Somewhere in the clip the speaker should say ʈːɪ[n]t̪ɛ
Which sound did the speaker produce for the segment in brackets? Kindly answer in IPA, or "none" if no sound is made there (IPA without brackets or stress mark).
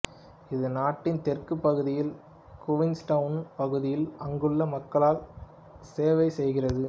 n